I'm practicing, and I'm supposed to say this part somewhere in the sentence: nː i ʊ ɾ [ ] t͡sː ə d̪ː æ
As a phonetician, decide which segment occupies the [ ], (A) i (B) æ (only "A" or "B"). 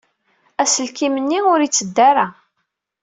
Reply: A